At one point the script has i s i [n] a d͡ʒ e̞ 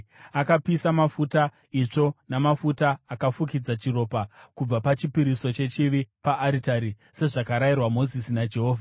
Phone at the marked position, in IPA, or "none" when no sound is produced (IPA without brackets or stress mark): n